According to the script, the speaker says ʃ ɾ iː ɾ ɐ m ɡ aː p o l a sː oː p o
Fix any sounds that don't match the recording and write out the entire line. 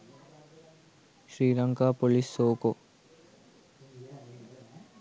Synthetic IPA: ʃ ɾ iː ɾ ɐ ŋ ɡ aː p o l i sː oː k o